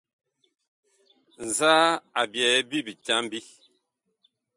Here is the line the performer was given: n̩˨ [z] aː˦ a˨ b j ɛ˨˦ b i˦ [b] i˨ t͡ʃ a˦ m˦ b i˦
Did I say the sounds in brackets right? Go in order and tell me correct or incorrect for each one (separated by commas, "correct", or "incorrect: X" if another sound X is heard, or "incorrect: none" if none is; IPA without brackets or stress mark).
correct, correct